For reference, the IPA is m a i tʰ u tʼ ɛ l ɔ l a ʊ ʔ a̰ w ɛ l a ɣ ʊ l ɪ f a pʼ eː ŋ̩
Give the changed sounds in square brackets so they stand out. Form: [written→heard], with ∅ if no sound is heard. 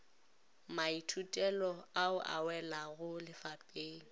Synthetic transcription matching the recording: m a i tʰ u tʼ ɛ l ɔ [l→∅] a ʊ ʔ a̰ w ɛ l a ɣ ʊ l ɪ f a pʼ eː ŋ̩